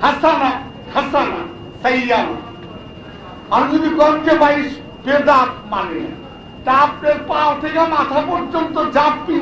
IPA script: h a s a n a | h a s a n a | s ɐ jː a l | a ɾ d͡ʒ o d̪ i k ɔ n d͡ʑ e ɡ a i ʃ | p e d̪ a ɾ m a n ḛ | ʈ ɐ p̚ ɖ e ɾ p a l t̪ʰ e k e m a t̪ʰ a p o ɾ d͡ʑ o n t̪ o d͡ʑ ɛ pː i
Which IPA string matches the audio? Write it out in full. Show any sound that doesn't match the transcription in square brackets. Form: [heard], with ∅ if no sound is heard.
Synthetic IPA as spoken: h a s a n a | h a s a n a | s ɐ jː a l | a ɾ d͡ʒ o d̪ i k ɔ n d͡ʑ e [b] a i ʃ | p e d̪ a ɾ m a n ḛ | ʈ [a] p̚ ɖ e ɾ p a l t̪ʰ e k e m a t̪ʰ a p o ɾ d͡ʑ o n t̪ o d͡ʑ [a] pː i